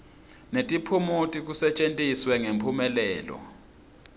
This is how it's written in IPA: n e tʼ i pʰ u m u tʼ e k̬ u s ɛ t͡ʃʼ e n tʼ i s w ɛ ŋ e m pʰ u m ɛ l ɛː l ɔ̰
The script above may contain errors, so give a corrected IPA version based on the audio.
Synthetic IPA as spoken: n e tʼ i pʰ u m u tʼ i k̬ u s ɛ t͡ʃʼ e n tʼ i s w ɛ ŋ e m pʰ u m ɛ l ɛː l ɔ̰

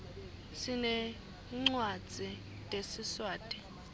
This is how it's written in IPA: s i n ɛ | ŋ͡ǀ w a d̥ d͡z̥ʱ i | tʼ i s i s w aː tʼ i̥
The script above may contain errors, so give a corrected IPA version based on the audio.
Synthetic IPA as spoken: s i n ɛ | ŋ͡ǀ w a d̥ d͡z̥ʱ i | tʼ e s i s w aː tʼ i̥

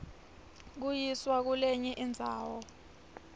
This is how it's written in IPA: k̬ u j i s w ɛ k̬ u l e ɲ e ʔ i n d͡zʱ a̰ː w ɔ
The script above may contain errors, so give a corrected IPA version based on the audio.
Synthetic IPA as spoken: k̬ u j i s w a k̬ u l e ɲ ɛ ʔ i n d͡zʱ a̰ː w ɔ

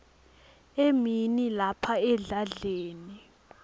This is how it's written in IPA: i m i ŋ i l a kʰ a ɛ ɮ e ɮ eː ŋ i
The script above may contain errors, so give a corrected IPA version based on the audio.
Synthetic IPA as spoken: e m i n i l a pʰ a ɛ ɮ a ɮ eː n i

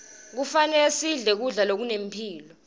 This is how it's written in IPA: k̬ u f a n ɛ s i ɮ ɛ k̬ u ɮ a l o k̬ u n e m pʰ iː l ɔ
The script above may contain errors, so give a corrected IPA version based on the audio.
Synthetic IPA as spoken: k̬ u f a n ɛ s i ɮ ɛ k̬ u ɮ a l o k̬ u n e m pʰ iː l ɔ

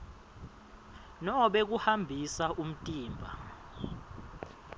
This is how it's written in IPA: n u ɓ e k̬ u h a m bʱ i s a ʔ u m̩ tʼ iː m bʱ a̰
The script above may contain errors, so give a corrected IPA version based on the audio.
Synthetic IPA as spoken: n ɔ ɓ e k̬ u h a m bʱ i s a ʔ u m̩ tʼ iː m bʱ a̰

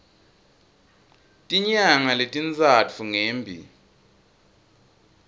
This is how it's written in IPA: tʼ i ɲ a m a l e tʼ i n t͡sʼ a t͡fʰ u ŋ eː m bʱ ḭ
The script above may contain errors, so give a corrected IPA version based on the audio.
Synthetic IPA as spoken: tʼ i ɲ a ŋ a l e tʼ i n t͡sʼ a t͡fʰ u ŋ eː m bʱ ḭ

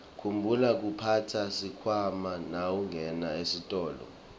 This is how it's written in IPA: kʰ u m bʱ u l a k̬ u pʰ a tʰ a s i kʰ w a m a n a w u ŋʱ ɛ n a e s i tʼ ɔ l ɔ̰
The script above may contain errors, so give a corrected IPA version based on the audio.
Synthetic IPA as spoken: kʰ u m bʱ u l a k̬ u pʰ a tʰ a s i kʰ w a m a n a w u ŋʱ ɛ n a e s i tʼ ɔː l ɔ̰

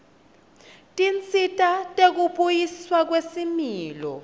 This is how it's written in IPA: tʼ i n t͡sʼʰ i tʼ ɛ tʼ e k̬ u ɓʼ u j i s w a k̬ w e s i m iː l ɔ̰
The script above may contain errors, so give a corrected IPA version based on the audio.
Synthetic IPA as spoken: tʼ i n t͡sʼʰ i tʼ a tʼ e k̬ u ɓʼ u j i s w a k̬ w e s i m iː l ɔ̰

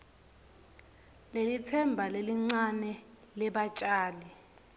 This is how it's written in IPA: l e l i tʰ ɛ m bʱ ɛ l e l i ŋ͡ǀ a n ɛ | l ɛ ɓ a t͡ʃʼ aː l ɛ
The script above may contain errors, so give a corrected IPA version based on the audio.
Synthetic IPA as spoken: l e l i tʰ ɛ m bʱ a l e l i ŋ͡ǀ a n ɛ | l ɛ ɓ a t͡ʃʼ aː l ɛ

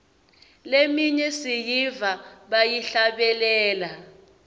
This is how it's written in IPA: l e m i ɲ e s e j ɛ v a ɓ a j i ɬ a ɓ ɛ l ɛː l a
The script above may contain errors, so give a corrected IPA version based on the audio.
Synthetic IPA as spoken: l e m i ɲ ɛ s i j i v a ɓ a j i ɬ a ɓ ɛ l ɛː l a

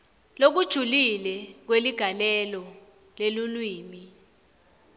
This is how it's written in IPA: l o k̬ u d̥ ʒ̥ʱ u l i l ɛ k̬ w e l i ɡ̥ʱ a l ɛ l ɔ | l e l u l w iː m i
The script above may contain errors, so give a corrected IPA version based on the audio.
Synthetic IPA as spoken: l o k̬ u d̥ ʒ̥ʱ u l i l ɛ k̬ w e l i ɡ̥ʱ a l ɛ l ɔ | l e l u l w iː m i

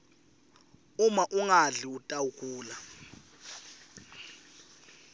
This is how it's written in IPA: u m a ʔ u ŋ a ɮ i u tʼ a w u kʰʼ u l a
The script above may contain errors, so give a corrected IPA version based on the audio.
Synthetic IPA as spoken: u m a ʔ u ŋ a ɮ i u tʼ a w u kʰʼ uː l a

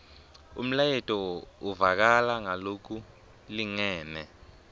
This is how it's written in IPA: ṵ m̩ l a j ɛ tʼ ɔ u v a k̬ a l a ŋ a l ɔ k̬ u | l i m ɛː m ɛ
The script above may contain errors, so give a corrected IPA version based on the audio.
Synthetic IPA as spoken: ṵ m̩ l a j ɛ tʼ ɔ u v a k̬ a l a ŋ a l o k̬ u | l i ŋ ɛː m ɛ

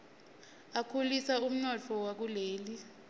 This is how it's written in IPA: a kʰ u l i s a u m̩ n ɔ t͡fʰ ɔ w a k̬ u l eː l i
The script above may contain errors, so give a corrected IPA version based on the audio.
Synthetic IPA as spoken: a kʰ u l i s a u m̩ n ɔ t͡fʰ ɔ w a k̬ u l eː l i

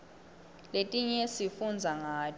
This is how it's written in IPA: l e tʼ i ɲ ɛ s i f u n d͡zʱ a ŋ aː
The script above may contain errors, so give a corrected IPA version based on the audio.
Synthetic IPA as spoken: l e tʼ i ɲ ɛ s i f u n d͡zʱ a ŋ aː

